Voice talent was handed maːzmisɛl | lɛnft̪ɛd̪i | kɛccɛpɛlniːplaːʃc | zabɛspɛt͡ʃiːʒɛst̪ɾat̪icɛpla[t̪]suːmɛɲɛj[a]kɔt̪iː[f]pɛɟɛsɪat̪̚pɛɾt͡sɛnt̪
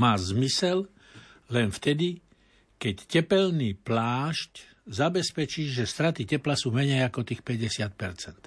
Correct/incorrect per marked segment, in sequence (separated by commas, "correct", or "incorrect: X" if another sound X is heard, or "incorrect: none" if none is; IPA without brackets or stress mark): incorrect: none, correct, incorrect: x